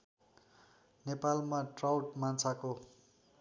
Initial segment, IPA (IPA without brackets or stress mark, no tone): n